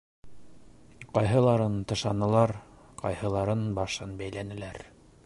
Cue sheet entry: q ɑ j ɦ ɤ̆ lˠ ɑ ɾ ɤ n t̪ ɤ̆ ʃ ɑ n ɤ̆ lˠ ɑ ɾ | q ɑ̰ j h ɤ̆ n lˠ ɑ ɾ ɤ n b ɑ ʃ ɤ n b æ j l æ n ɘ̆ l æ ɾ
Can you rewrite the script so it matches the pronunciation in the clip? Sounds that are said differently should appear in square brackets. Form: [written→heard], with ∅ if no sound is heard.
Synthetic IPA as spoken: q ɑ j ɦ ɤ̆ lˠ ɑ ɾ ɤ n t̪ ɤ̆ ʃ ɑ n ɤ̆ lˠ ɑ ɾ | q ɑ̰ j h ɤ̆ [n→∅] lˠ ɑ ɾ ɤ n b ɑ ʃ ɤ n b æ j l æ n ɘ̆ l æ ɾ